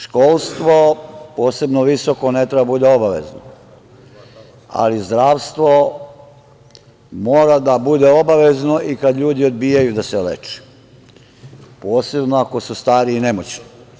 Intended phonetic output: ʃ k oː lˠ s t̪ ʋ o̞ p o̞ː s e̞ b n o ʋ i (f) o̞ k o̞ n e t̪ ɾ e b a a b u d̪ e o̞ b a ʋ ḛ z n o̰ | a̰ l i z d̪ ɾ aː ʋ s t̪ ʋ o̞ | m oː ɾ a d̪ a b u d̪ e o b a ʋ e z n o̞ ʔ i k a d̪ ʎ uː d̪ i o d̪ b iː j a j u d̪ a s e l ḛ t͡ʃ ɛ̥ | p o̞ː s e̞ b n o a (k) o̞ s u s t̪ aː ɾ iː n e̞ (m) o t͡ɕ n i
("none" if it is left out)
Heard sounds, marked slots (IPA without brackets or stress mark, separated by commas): s, k, m